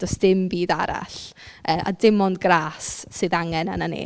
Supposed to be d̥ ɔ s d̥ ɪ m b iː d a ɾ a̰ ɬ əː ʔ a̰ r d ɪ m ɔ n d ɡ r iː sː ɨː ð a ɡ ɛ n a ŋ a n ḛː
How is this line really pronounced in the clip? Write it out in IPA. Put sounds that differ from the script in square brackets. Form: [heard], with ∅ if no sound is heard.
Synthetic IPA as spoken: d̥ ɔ s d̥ ɪ m b iː d a ɾ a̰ ɬ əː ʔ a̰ [∅] d ɪ m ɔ n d ɡ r [aː] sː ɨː ð a [ŋ] ɛ n a [n] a n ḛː